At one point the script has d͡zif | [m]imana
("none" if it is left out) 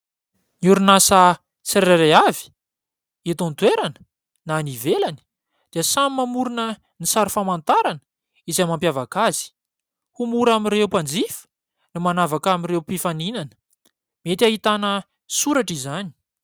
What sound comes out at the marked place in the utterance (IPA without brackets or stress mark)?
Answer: n